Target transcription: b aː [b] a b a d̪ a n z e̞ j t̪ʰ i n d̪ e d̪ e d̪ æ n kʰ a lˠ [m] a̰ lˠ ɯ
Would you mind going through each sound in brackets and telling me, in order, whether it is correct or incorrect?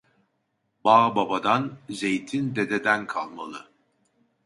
correct, correct

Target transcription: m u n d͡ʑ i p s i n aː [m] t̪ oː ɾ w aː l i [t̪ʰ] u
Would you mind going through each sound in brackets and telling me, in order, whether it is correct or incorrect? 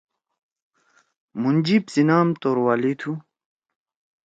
correct, correct

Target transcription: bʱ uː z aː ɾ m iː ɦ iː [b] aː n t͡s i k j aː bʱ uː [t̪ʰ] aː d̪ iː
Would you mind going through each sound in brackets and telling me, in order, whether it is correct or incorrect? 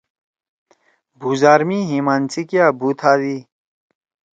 incorrect: m, correct

